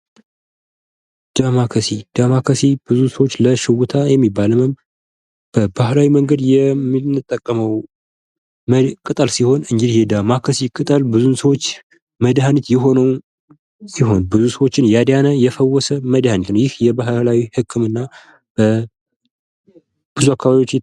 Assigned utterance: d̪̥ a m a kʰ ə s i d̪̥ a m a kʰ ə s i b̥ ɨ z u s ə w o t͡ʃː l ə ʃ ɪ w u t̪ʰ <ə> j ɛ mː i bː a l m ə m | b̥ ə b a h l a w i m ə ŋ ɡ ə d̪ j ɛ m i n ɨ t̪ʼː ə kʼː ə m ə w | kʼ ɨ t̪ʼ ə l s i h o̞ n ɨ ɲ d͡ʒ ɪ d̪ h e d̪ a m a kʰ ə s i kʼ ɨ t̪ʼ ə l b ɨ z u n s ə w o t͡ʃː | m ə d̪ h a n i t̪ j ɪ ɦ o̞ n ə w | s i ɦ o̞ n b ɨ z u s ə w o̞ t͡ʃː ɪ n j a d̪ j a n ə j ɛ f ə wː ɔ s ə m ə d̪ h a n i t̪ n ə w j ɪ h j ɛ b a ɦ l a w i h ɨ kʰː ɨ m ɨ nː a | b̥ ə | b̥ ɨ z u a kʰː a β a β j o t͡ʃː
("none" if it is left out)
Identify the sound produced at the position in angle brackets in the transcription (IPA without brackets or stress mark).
a